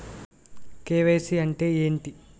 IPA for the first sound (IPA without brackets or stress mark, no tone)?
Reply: k